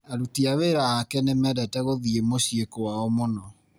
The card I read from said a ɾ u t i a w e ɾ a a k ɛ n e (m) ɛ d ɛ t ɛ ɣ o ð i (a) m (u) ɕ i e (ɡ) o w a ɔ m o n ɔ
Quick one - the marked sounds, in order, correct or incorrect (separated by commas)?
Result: correct, incorrect, incorrect, incorrect